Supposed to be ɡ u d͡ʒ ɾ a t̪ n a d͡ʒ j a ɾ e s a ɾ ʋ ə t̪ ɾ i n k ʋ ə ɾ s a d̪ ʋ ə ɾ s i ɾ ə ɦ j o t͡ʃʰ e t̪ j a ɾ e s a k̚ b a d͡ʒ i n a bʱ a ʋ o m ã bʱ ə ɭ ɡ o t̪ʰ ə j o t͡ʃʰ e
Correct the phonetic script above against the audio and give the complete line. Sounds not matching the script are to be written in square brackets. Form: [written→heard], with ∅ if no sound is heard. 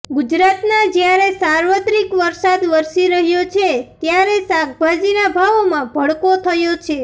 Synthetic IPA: ɡ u d͡ʒ ɾ a t̪ n a d͡ʒ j a ɾ e s a ɾ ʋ ə t̪ ɾ i [n→∅] k ʋ ə ɾ s a d̪ ʋ ə ɾ s i ɾ ə ɦ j o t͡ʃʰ e t̪ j a ɾ e s a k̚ b a d͡ʒ i n a bʱ a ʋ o m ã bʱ ə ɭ [ɡ→k] o t̪ʰ ə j o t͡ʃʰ e